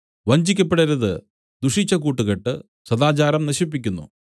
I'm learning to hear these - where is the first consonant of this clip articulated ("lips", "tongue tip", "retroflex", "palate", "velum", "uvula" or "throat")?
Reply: lips